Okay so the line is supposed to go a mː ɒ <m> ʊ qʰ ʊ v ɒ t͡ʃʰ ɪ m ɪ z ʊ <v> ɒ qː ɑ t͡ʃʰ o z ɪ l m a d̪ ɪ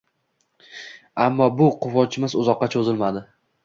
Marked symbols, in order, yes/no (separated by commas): no, no